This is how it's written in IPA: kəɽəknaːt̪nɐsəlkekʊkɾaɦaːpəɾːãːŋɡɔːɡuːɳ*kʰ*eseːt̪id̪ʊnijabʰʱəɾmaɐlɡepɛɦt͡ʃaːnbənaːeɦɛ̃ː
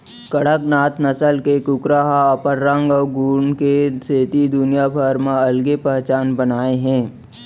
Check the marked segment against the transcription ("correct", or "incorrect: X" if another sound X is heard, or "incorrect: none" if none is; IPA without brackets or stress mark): incorrect: k